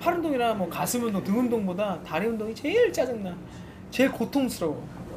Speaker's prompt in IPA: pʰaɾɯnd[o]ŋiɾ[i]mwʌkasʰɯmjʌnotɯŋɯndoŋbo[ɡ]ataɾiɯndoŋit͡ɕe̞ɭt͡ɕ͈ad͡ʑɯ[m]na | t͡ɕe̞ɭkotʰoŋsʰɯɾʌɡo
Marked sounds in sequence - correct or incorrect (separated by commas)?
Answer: correct, incorrect, incorrect, incorrect